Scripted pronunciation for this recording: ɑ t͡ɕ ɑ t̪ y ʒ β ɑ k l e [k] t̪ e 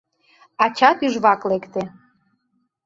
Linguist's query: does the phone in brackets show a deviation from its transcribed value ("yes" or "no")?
no